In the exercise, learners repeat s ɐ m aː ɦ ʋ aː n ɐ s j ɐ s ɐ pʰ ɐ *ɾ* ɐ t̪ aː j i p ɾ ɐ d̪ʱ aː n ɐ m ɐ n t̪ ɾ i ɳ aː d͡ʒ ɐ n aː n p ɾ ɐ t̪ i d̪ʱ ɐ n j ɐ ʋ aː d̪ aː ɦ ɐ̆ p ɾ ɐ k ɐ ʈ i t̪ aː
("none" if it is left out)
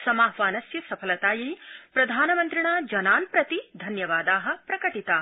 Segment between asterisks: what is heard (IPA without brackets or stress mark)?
l